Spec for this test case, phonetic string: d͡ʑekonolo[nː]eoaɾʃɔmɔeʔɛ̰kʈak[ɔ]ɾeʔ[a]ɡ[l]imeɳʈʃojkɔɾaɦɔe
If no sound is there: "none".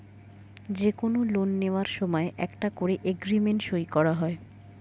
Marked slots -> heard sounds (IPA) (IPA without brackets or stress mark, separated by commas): nː, o, e, ɾ